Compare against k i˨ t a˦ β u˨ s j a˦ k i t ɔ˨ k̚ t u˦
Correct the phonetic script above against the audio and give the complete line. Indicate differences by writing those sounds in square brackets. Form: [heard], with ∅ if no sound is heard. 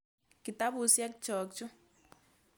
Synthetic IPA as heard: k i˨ t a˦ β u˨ s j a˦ k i [t͡ʃ] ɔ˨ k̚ [t͡ʃ] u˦